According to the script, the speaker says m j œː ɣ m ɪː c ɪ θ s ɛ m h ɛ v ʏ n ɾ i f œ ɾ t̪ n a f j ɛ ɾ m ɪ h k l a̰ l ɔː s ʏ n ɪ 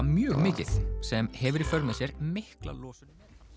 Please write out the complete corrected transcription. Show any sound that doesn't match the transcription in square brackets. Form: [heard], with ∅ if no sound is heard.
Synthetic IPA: m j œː ɣ m ɪː c ɪ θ s ɛ m h ɛ v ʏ [∅] ɾ i f œ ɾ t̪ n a [s] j ɛ ɾ m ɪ h k l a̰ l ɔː s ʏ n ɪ